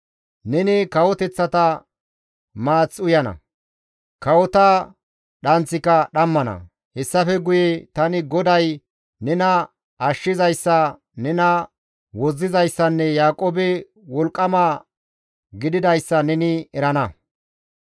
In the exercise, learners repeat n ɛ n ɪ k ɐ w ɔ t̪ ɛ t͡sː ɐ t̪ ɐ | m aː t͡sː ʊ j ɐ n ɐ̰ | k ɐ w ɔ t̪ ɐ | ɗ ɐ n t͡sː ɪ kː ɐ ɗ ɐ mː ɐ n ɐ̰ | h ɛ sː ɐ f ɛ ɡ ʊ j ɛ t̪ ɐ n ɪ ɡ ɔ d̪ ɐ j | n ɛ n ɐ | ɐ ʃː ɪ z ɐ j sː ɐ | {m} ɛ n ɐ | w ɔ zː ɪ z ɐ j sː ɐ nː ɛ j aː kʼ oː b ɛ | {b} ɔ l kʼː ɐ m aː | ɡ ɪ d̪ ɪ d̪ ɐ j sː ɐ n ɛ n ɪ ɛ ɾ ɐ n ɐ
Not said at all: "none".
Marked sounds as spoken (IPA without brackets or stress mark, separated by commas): n, w